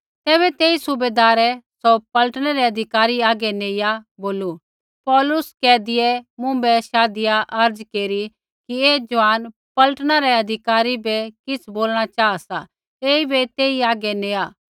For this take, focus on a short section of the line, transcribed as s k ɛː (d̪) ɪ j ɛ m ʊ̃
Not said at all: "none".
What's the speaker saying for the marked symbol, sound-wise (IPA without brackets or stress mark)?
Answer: d̪